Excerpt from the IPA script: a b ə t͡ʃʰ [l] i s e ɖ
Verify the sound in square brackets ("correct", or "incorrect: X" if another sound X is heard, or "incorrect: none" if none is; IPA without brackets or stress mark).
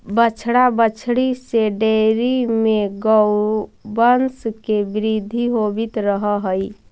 incorrect: ɽ